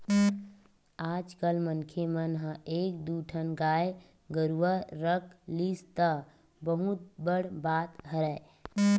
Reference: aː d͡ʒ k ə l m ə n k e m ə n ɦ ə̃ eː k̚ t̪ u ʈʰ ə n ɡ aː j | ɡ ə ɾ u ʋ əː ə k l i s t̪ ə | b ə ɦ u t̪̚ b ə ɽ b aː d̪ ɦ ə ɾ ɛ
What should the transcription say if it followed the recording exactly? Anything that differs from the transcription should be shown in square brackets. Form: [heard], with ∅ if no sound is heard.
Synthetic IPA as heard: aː d͡ʒ k ə l m ə n [kʰ] e m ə n ɦ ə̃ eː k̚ [d̪] u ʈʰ ə n ɡ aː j | ɡ ə ɾ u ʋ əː ə k l i s t̪ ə | b ə ɦ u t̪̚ b ə ɽ b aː [t̪] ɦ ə ɾ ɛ